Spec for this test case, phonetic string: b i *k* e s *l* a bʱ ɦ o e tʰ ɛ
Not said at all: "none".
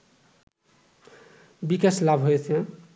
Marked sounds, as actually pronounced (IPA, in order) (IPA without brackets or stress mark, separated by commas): k, l